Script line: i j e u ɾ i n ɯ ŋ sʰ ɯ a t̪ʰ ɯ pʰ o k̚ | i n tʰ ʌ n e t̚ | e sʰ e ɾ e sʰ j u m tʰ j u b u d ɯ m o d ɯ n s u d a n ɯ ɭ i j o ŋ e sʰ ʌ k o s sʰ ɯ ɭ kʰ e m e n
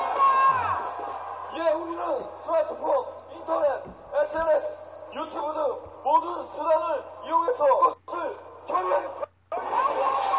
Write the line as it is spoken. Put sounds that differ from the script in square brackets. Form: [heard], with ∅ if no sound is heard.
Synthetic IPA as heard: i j e u ɾ i n ɯ [n] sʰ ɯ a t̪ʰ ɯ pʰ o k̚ | i n tʰ ʌ n e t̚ | e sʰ e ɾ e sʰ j u [∅] tʰ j u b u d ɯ m o d ɯ n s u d a n ɯ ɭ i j o ŋ e sʰ ʌ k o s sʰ ɯ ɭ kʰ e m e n